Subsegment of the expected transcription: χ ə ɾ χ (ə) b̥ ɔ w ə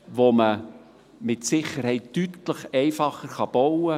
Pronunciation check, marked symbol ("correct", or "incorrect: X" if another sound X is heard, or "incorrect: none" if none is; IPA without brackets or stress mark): incorrect: ɑ